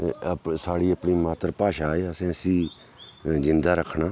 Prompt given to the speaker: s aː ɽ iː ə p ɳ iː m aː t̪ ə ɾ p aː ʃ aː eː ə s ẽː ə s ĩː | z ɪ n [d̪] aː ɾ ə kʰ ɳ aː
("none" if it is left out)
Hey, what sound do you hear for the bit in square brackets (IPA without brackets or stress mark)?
d̪